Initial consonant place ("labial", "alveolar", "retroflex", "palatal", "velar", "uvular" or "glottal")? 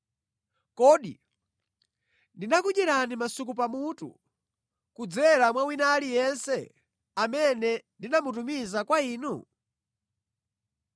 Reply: velar